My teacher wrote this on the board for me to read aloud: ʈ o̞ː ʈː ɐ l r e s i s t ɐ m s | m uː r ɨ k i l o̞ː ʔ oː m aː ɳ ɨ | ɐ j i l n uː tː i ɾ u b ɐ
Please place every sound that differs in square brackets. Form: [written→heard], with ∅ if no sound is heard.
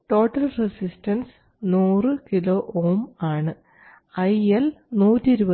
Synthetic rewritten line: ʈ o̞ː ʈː ɐ l r e s i s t ɐ [m→n] s | [m→n] uː r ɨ k i l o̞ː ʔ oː m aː ɳ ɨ | ɐ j [i→e] l n uː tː i ɾ u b ɐ